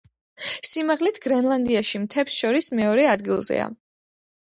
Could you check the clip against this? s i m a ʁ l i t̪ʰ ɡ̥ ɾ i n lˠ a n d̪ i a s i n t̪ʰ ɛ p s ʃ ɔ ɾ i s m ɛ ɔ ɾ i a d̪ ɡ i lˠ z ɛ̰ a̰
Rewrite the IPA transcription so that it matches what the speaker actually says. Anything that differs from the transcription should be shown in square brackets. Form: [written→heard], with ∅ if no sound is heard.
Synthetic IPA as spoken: s i m a ʁ l i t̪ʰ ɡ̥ ɾ [i→ɛ] n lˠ a n d̪ i a [s→ʃ] i [n→m] t̪ʰ ɛ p s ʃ ɔ ɾ i s m ɛ ɔ ɾ [i→ɛ] a d̪ ɡ i lˠ z ɛ̰ a̰